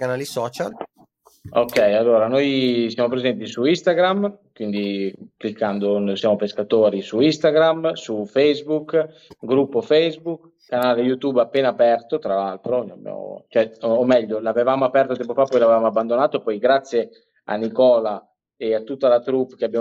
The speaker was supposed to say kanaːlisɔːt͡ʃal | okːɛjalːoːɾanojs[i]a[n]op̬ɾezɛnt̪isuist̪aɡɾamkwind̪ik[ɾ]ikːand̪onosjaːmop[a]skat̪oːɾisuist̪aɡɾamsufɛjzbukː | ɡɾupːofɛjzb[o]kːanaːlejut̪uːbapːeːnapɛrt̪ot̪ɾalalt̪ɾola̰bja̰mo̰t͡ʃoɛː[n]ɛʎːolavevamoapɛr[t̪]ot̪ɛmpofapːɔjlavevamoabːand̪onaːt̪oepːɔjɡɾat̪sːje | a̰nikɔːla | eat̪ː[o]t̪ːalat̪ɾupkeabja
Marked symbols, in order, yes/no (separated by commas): no, no, no, no, no, no, yes, no